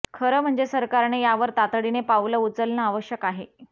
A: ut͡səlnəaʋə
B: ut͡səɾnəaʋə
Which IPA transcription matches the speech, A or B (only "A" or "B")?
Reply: A